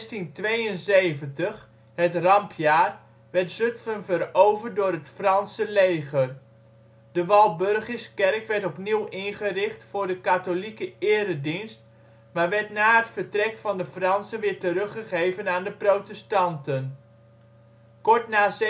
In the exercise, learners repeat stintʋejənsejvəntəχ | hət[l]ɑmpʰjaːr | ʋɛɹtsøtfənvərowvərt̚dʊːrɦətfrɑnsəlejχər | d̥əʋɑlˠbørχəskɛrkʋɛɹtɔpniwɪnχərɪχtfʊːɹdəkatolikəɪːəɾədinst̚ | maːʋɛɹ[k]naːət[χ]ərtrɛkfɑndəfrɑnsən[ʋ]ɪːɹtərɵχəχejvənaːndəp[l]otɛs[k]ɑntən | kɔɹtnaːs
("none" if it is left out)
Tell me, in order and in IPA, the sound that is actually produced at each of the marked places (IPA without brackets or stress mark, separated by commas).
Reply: r, t, f, ʋ, r, t